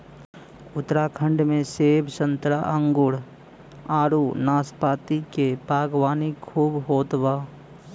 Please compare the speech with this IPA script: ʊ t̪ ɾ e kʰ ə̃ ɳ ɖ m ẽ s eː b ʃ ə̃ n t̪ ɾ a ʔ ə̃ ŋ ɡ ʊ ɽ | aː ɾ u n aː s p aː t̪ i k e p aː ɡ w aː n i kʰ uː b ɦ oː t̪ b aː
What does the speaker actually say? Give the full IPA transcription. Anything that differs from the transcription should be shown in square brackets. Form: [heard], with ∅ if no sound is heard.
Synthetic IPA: ʊ t̪ ɾ [a] kʰ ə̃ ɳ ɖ m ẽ s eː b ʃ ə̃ n t̪ ɾ a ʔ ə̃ ŋ ɡ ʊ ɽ | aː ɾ u n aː s p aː t̪ i k e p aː ɡ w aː n i kʰ uː b ɦ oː t̪ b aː